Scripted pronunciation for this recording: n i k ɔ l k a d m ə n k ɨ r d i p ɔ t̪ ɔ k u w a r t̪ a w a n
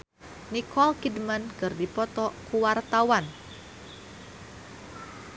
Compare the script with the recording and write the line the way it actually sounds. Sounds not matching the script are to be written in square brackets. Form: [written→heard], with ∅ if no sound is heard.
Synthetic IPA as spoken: n i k ɔ l k [a→i] d m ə n k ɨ r d i p ɔ t̪ ɔ k u w a r t̪ a w a n

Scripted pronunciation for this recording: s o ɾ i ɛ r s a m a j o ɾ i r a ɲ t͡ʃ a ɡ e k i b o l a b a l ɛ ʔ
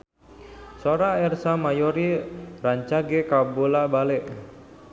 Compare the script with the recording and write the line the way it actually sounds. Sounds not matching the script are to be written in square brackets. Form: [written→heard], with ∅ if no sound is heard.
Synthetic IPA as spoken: s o ɾ [i→a] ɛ r s a m a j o ɾ i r a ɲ t͡ʃ a ɡ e k [i→a] b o l a b a l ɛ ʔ

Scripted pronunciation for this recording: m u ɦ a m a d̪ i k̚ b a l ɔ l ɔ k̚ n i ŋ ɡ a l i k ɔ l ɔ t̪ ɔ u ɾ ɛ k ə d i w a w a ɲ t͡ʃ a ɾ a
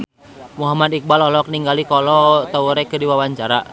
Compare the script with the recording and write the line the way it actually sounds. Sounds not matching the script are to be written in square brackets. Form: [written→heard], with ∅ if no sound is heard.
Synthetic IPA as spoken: m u ɦ a m a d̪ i k̚ b a l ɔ l ɔ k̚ n i ŋ ɡ a l i k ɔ l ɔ t̪ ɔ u ɾ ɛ k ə d i w a w a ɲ t͡ʃ a ɾ a

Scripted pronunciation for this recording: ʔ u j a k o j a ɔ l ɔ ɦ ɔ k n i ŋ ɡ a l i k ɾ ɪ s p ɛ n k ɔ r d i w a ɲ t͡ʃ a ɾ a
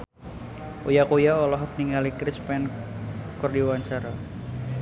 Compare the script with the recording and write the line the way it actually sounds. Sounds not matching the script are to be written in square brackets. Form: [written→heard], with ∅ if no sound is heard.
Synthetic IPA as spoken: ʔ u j a k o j a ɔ l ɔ ɦ ɔ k n i ŋ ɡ a l i k ɾ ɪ s p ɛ n k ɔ r d i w a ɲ t͡ʃ a ɾ a

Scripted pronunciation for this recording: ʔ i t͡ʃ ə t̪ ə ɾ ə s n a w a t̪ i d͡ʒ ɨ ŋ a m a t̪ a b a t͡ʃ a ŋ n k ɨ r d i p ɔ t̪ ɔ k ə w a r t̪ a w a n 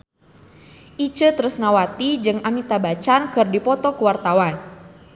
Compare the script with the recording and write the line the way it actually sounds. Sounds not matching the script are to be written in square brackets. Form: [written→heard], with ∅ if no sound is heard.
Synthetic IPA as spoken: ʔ i t͡ʃ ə t̪ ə ɾ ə s n a w a t̪ i d͡ʒ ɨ ŋ a m [a→i] t̪ a b a t͡ʃ a [ŋ→∅] n k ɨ r d i p ɔ t̪ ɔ k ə w a r t̪ a w a n

